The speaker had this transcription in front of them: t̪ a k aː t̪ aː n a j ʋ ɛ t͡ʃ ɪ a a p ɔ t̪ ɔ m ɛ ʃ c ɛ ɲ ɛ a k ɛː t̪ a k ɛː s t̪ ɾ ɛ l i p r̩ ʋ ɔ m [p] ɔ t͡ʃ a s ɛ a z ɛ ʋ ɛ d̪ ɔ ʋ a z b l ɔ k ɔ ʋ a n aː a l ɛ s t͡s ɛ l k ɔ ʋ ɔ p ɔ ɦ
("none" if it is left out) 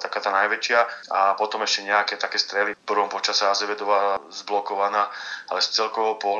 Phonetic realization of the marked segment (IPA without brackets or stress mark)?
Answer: p